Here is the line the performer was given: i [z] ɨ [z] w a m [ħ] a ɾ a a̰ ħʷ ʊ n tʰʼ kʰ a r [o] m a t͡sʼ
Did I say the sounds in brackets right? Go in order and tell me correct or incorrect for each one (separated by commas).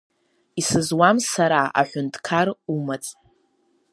incorrect, correct, incorrect, incorrect